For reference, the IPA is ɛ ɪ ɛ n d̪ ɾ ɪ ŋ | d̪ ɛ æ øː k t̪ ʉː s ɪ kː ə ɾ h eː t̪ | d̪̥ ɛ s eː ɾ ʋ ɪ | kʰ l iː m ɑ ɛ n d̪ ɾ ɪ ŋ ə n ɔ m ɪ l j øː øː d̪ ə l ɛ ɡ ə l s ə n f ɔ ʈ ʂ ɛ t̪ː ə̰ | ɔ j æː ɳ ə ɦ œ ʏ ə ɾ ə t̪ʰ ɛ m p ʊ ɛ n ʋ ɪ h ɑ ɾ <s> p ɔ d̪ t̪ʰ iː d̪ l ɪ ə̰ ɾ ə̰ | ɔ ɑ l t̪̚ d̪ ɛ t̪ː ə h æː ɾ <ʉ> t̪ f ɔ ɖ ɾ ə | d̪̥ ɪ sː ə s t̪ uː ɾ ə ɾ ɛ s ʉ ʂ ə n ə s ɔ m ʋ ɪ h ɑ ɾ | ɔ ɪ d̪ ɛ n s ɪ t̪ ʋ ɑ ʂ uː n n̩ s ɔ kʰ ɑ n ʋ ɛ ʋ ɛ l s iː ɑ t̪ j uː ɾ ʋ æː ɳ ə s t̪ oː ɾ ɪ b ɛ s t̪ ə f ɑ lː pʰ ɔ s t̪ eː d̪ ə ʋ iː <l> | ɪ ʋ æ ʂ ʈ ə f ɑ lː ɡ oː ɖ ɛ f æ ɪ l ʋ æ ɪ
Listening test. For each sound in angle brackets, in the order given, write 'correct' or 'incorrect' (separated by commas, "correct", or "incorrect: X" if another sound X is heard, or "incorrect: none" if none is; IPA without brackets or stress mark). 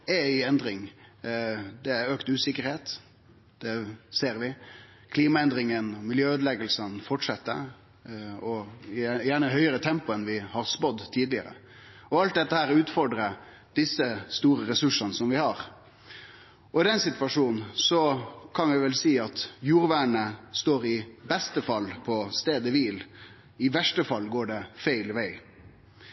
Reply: correct, incorrect: ʉː, correct